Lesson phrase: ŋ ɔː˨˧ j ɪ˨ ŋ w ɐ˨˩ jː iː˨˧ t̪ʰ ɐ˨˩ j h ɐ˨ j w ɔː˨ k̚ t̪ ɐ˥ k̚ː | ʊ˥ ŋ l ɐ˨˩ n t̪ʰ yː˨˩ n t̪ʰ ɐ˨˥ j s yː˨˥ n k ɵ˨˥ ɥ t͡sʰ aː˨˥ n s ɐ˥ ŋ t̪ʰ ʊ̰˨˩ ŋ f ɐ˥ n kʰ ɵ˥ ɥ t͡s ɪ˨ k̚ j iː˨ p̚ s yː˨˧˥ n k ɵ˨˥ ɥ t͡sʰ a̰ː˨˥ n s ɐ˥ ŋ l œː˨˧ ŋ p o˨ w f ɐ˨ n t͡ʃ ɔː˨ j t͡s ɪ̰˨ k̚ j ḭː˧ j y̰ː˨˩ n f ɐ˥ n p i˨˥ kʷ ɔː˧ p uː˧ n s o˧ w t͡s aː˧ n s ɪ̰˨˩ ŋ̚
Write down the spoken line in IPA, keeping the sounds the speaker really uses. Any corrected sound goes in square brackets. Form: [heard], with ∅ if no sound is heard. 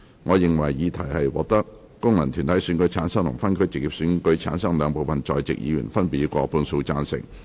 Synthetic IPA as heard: ŋ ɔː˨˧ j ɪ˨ ŋ w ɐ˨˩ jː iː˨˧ t̪ʰ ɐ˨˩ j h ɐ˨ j w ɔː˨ k̚ t̪ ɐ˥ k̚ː | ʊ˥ ŋ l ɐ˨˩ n t̪ʰ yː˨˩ n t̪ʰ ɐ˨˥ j s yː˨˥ n k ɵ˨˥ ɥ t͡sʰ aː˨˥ n s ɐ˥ ŋ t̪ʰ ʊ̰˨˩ ŋ f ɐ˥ n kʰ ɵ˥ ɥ t͡s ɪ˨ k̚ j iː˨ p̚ s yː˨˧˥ n k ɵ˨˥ ɥ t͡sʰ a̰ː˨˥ n s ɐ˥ ŋ l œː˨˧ ŋ p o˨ w f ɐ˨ n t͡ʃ ɔː˨ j t͡s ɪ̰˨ k̚ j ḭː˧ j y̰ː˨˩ n f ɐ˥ n p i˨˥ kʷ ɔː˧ p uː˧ n s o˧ w t͡s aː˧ n s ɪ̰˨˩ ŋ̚